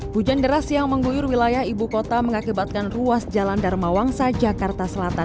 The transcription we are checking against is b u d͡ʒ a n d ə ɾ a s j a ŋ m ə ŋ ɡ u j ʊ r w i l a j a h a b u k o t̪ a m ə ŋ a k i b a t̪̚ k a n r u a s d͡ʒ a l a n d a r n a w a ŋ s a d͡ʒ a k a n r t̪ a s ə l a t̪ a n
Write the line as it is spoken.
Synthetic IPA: b u d͡ʒ a n d ə ɾ a s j a ŋ m ə ŋ ɡ u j ʊ r w i l a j a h i b u k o t̪ a m ə ŋ a k i b a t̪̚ k a n r u a s d͡ʒ a l a n d a r m a w a ŋ s a d͡ʒ a k a r t̪ a s ə l a t̪ a n